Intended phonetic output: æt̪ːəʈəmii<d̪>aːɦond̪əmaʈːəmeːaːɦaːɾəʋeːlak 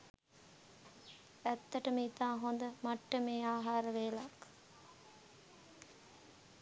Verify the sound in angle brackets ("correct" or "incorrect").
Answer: incorrect